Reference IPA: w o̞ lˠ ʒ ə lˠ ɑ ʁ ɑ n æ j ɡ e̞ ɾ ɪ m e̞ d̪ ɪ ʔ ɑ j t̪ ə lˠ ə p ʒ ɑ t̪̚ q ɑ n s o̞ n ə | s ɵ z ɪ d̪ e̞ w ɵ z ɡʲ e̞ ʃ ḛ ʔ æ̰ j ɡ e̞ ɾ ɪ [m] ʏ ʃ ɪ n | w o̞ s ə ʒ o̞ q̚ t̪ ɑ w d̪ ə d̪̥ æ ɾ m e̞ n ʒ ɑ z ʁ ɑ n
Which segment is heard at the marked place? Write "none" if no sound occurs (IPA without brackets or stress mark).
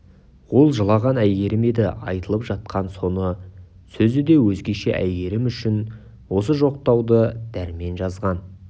m